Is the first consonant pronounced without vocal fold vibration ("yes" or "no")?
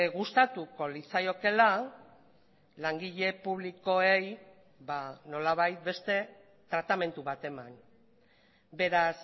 no